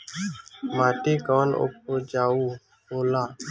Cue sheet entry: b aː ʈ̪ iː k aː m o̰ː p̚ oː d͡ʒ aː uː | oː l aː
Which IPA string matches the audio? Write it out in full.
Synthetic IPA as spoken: m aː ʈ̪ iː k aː n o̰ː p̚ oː d͡ʒ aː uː | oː l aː